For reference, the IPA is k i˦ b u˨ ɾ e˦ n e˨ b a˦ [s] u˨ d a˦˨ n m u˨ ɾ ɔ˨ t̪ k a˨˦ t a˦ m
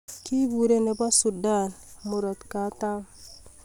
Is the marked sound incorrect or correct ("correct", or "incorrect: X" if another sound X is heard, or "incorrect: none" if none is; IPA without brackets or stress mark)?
correct